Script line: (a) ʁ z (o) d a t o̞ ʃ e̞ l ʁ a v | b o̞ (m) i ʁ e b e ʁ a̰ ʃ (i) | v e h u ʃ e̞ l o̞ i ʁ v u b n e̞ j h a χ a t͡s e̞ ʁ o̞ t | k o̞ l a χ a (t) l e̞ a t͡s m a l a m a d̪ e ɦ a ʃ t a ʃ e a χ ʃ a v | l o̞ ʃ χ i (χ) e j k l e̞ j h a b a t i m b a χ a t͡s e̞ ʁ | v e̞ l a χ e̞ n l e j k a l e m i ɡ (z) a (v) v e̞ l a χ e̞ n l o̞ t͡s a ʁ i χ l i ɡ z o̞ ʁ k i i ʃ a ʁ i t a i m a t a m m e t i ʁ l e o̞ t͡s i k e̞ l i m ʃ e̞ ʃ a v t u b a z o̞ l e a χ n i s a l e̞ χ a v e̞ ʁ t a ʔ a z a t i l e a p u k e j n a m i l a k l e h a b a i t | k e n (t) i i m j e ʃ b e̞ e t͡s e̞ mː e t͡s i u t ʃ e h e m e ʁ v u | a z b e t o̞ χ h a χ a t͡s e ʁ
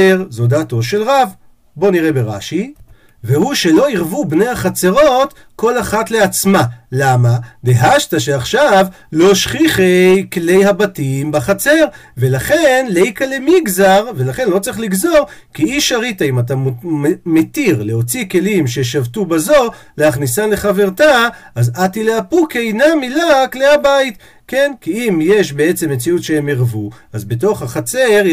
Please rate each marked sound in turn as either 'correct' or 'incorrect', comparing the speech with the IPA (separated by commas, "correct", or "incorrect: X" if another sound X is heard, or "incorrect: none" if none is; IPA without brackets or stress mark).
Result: incorrect: e, correct, incorrect: n, correct, correct, correct, correct, incorrect: ʁ, incorrect: k